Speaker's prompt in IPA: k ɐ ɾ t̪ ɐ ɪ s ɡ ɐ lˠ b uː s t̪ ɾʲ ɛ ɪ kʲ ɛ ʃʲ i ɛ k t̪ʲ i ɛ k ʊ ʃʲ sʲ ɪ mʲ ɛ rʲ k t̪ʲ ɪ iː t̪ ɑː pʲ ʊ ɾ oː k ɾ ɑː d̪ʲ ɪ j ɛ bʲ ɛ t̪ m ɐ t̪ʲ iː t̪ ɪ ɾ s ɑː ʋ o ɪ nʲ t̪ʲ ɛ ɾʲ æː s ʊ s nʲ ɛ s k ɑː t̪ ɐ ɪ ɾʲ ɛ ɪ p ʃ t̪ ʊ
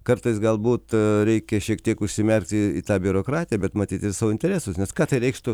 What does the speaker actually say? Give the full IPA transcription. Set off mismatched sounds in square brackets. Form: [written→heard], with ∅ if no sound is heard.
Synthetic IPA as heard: k ɐ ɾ t̪ ɐ ɪ s ɡ ɐ lˠ b uː [s→∅] t̪ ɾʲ ɛ ɪ kʲ ɛ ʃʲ i ɛ k t̪ʲ i ɛ k ʊ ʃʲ sʲ ɪ mʲ ɛ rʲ k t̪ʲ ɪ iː t̪ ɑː [pʲ→bʲ] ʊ ɾ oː k ɾ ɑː [d̪ʲ→t̪ʲ] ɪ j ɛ bʲ ɛ t̪ m ɐ t̪ʲ iː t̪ ɪ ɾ s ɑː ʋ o ɪ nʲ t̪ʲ ɛ ɾʲ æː s ʊ s nʲ ɛ s k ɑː t̪ ɐ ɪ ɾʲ ɛ ɪ [p→k] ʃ t̪ ʊ